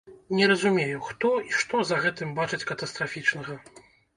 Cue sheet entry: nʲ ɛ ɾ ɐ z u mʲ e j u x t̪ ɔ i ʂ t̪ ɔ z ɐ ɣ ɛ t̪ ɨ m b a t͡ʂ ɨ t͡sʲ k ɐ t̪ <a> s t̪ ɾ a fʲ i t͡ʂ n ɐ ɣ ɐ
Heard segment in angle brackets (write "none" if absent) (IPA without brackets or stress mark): ɐ